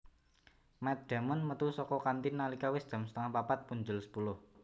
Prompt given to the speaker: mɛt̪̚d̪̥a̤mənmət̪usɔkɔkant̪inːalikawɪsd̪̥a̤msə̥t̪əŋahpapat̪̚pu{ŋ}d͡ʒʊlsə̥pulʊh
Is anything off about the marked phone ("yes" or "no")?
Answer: yes